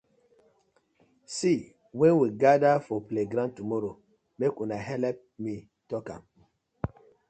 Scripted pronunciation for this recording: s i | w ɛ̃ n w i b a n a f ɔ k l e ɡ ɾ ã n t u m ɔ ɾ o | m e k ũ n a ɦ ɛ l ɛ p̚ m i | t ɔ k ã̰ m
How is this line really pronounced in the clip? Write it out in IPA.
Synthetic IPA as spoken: s i | w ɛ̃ n w i ɡ a d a f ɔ p l e ɡ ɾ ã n t u m ɔ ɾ o | m e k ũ n a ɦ ɛ l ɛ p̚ m i | t ɔ k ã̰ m